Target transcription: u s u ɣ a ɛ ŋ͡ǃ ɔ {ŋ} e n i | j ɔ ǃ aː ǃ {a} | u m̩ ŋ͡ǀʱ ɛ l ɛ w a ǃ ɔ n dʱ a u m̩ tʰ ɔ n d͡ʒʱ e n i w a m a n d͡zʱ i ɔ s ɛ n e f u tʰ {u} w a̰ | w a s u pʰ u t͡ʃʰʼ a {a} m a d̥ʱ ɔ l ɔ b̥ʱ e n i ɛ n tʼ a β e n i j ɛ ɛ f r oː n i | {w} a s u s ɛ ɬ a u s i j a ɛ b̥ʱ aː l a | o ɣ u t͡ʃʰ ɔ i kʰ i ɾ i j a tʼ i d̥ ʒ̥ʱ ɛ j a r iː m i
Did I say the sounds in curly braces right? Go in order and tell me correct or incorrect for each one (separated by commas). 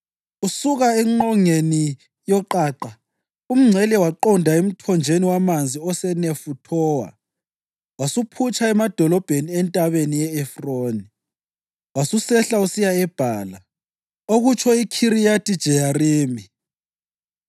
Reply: correct, correct, incorrect, incorrect, correct